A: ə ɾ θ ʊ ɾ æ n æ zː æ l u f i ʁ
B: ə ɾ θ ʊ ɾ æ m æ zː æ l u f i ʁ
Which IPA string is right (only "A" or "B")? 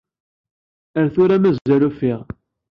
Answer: B